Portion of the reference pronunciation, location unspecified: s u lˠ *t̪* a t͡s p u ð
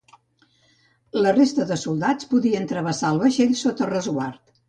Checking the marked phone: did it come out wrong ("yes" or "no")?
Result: yes